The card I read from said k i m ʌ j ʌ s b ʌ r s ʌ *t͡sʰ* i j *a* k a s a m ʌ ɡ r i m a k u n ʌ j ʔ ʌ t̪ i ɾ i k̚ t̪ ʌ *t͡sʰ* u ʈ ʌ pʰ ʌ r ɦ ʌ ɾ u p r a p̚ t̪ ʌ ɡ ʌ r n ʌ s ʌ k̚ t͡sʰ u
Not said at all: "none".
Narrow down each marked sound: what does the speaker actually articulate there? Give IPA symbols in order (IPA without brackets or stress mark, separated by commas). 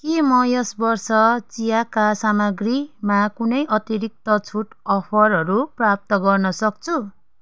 t͡s, a, t͡sʰ